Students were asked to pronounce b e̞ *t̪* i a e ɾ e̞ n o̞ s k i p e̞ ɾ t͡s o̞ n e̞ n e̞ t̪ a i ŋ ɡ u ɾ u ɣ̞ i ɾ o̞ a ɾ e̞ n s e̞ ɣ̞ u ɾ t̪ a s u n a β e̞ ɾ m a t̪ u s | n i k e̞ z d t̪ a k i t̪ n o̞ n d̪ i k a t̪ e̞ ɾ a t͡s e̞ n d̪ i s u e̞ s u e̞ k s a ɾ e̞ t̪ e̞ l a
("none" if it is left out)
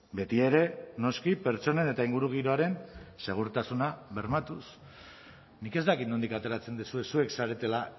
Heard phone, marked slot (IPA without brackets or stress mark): t̪